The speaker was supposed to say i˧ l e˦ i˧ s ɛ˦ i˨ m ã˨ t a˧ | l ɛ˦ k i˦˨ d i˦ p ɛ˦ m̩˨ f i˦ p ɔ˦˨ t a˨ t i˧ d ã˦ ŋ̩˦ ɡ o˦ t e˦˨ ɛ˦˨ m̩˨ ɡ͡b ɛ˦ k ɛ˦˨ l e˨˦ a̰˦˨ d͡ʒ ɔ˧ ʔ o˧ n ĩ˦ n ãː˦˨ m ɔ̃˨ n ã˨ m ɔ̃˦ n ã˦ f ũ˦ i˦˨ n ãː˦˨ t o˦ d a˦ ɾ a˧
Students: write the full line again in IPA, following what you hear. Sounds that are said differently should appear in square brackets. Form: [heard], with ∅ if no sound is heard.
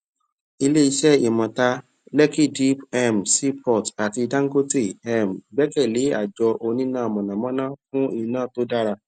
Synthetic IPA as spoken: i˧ l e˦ i˧ [ʃ] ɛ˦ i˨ m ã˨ t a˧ | l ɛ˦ k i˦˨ d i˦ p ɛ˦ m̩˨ [s] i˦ p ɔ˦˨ t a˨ t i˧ d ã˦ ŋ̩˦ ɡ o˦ t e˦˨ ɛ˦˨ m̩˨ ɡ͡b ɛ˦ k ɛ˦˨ l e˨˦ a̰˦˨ d͡ʒ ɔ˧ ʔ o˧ n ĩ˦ n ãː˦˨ m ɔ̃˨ n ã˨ m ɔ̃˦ n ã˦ f ũ˦ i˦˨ n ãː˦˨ t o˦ d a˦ ɾ a˧